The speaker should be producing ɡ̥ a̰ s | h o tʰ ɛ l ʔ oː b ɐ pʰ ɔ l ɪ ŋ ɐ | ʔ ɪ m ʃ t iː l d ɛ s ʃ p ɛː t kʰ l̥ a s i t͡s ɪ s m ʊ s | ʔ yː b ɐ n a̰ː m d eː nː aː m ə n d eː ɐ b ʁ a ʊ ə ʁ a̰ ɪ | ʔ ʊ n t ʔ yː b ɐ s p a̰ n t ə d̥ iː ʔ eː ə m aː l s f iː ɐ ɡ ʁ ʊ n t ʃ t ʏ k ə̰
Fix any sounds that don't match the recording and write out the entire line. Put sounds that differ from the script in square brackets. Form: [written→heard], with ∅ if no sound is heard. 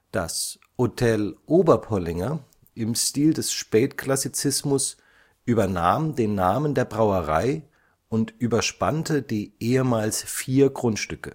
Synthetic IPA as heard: [ɡ̥→d̥] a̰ s | h o tʰ ɛ l ʔ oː b ɐ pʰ ɔ l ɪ ŋ ɐ | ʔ ɪ m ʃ t iː l d ɛ s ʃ p ɛː t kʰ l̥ a s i t͡s ɪ s m ʊ s | ʔ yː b ɐ n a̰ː m d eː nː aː m ə n d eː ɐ b ʁ a ʊ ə ʁ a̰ ɪ | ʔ ʊ n t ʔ yː b ɐ [s→ʃ] p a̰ n t ə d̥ iː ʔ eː ə m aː l s f iː ɐ ɡ ʁ ʊ n t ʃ t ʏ k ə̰